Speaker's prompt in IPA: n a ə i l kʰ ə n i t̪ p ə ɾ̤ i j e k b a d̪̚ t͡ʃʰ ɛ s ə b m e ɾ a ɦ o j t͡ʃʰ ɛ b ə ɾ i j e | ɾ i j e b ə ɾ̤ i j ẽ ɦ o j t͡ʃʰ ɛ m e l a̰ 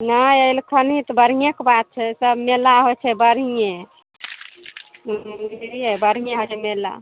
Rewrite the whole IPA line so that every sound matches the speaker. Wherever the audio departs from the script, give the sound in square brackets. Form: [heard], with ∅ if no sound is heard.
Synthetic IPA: n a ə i l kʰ ə n i t̪ [b] ə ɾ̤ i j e k b a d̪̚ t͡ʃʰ ɛ s ə b m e [l] a ɦ o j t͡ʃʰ ɛ b ə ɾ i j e | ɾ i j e b ə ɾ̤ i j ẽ ɦ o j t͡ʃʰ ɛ m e l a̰